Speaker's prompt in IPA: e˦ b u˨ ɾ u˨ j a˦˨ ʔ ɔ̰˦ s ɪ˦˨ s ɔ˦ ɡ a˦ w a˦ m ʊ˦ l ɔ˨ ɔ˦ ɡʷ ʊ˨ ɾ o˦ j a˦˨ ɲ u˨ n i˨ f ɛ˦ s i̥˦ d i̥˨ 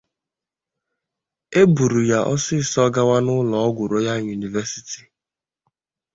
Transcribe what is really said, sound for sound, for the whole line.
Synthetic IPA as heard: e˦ b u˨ ɾ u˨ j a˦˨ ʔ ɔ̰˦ s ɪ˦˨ s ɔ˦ ɡ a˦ w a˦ n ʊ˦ l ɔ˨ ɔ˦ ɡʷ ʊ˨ ɾ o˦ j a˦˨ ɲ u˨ n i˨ v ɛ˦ s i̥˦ t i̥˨